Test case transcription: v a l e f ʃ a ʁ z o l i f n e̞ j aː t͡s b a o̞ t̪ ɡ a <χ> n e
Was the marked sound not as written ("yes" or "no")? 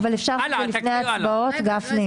yes